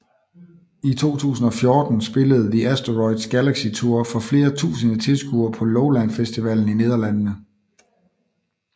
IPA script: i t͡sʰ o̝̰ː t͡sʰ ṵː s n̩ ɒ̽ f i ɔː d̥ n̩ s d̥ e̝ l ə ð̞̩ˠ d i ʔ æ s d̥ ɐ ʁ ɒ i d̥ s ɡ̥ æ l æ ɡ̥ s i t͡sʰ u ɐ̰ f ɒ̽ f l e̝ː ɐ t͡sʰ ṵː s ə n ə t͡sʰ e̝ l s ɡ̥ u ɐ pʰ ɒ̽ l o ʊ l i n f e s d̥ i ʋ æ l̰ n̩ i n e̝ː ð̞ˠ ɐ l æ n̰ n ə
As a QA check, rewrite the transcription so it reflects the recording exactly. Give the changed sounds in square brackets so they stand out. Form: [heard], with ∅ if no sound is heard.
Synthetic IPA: i t͡sʰ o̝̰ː t͡sʰ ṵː s n̩ ɒ̽ f [j] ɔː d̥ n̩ s [b̥] e̝ l ə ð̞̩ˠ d i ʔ æ s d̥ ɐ ʁ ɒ [ɪ] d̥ s ɡ̥ æ l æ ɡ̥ s i t͡sʰ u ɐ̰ f ɒ̽ f l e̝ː ɐ t͡sʰ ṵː s ə n ə t͡sʰ e̝ l s ɡ̥ u ɐ pʰ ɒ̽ l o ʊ l [æ] n f e s d̥ i ʋ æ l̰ n̩ i n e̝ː ð̞ˠ ɐ l æ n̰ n ə

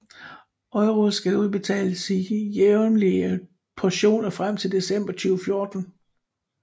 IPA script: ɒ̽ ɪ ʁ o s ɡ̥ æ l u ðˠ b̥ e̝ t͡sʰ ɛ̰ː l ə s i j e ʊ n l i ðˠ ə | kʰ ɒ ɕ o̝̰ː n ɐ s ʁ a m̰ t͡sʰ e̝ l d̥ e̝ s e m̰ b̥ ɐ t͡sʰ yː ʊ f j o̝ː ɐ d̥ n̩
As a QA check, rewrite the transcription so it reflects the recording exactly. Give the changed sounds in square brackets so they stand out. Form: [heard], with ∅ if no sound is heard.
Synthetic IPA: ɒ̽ ɪ ʁ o s ɡ̥ æ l u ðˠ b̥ e̝ t͡sʰ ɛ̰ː l ə s i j e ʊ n l i [∅] ə | [pʰ] ɒ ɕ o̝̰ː n ɐ [f] ʁ a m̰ t͡sʰ e̝ l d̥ e̝ s e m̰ b̥ ɐ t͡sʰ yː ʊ f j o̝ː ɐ d̥ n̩

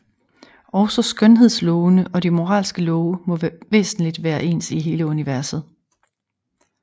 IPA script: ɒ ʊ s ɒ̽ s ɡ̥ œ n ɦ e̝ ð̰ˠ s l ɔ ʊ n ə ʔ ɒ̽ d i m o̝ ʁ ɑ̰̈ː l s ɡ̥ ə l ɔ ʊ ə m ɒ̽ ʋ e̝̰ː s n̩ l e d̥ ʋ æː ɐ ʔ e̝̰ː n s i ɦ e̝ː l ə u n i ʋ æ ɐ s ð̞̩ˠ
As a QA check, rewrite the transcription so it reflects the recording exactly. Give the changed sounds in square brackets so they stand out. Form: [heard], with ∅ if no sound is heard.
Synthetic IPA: ɒ ʊ s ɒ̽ s ɡ̥ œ n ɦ e̝ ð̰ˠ s l ɔ ʊ n ə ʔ ɒ̽ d i m o̝ ʁ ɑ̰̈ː l s ɡ̥ ə l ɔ ʊ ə m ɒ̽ ʋ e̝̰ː s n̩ l [i] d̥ ʋ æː ɐ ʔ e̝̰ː n s i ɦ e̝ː l ə u n i ʋ æ ɐ s ð̞̩ˠ

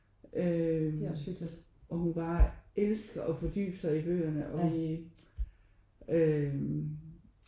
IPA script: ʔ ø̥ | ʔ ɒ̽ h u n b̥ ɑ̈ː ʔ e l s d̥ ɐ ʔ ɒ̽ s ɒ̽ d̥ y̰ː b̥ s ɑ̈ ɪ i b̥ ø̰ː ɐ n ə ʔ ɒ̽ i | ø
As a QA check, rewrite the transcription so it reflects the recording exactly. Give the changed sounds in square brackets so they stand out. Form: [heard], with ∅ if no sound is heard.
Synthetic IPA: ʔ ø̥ | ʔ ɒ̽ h u n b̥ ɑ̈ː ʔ e l s [ɡ̥] ɐ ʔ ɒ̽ [f] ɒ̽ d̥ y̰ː b̥ s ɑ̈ ɪ i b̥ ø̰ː ɐ n ə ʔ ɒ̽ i | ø

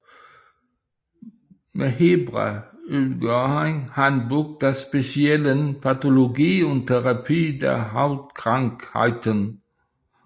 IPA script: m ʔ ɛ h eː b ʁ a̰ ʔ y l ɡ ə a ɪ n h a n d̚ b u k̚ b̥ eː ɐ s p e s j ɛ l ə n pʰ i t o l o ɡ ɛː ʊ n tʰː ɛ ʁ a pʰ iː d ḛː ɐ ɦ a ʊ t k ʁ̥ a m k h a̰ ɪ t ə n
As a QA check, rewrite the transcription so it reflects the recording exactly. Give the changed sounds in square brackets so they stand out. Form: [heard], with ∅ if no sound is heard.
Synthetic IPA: m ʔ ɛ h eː b ʁ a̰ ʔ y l ɡ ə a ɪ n h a n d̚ b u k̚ [d̥] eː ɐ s p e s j ɛ l ə n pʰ [a] t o l o ɡ [iː] ʊ n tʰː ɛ ʁ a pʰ iː d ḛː ɐ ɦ a ʊ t k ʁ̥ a [ŋ] k h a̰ ɪ t ə n

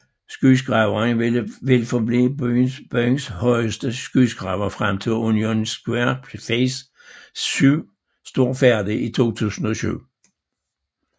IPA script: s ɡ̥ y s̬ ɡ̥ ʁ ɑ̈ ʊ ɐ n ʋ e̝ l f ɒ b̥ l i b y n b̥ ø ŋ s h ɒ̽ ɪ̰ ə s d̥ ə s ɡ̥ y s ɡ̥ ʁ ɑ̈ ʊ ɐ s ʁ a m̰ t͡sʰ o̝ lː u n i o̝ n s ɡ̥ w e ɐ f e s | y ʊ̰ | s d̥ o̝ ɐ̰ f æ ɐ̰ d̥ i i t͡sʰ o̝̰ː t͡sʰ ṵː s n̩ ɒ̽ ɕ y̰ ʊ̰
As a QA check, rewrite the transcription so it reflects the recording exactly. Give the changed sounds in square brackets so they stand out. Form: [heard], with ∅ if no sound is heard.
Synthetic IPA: s ɡ̥ y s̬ ɡ̥ ʁ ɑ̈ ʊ ɐ n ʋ e̝ l f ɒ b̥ l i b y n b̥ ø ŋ s h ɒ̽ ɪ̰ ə s d̥ ə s ɡ̥ y s ɡ̥ ʁ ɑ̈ ʊ ɐ [f] ʁ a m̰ t͡sʰ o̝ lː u n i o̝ n s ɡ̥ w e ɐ f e s | y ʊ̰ | s d̥ o̝ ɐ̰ f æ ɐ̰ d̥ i i t͡sʰ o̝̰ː t͡sʰ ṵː s n̩ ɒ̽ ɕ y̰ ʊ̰

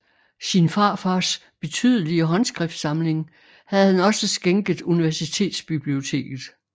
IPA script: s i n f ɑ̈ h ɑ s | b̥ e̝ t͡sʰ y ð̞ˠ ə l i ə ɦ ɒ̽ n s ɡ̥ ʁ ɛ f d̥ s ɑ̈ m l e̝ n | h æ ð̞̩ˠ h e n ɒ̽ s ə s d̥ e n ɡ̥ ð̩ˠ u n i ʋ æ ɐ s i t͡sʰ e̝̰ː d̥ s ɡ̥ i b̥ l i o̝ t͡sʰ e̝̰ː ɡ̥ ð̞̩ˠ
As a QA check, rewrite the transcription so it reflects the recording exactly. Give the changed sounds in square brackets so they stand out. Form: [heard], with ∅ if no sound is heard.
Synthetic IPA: s i n f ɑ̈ [f] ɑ s | b̥ e̝ t͡sʰ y ð̞ˠ ə l i ə ɦ ɒ̽ n s ɡ̥ ʁ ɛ f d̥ s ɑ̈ m l e̝ [ŋ] | h æ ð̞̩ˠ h [æ] n ɒ̽ s ə s [ɡ̥] e [ŋ] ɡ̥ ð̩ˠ u n i ʋ æ ɐ s i t͡sʰ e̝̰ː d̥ s [b̥] i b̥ l i o̝ t͡sʰ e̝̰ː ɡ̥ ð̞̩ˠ

